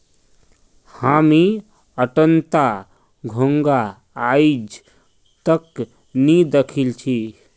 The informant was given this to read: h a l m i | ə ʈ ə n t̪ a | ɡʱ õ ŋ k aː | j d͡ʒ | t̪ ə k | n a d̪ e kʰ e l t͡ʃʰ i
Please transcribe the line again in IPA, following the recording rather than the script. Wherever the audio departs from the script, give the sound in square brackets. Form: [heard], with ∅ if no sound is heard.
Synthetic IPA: h a [∅] m i | ə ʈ ə n t̪ a | ɡʱ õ ŋ [ɡ] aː | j d͡ʒ | t̪ ə k | n [i] d̪ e kʰ [i] l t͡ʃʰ i